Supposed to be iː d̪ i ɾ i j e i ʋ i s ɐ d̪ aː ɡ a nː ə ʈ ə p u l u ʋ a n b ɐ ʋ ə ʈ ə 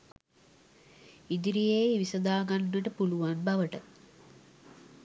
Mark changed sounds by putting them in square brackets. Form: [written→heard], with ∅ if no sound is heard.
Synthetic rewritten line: [iː→i] d̪ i ɾ i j e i ʋ i s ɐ d̪ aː ɡ a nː ə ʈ ə p u l u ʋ a n b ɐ ʋ ə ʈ ə

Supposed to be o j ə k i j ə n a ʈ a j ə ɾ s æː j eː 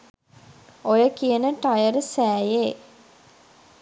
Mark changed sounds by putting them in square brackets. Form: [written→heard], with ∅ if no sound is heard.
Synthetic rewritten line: o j ə k i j ə n [a→ə] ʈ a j ə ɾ s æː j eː

